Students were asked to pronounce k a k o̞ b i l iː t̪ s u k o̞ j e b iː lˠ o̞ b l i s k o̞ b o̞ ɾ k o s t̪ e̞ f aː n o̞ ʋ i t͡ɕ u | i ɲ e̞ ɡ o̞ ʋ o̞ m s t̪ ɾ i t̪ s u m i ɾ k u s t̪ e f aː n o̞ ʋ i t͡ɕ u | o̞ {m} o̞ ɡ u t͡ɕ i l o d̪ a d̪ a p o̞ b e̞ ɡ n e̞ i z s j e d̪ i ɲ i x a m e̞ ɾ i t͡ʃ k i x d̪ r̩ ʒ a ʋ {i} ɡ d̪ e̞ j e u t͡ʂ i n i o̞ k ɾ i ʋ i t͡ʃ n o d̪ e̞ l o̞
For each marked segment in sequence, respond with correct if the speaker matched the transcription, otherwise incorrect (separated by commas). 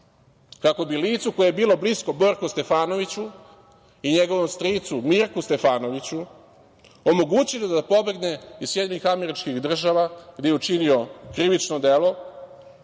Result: correct, incorrect